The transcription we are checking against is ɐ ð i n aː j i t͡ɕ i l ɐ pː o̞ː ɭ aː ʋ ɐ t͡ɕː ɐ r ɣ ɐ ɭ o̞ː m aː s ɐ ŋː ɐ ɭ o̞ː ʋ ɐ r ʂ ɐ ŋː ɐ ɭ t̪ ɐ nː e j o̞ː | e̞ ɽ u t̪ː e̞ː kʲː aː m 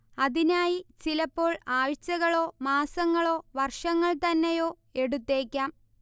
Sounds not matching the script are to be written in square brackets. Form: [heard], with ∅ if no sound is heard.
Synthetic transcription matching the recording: ɐ ð i n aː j i t͡ɕ i l ɐ pː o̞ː ɭ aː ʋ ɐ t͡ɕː ɐ [∅] ɣ ɐ ɭ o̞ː m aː s ɐ ŋː ɐ ɭ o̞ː ʋ ɐ r ʂ ɐ ŋː ɐ ɭ t̪ ɐ nː e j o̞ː | e̞ ɽ u t̪ː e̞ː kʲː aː m